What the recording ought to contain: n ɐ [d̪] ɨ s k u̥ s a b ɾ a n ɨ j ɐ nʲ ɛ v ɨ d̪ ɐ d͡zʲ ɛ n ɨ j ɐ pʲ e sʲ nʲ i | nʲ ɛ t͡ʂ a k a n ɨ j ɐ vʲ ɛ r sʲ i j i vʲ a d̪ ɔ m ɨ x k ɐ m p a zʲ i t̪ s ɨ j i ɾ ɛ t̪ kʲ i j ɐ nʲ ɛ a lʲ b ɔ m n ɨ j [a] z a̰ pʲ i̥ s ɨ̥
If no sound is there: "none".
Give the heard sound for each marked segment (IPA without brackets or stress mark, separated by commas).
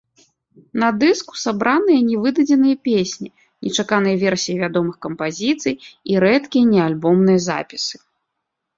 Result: d̪, ɐ